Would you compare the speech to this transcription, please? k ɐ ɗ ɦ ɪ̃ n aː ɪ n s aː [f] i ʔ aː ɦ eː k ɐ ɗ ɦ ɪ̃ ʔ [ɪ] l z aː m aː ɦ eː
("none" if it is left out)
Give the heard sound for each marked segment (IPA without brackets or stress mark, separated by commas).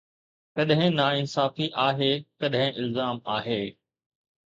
f, ɪ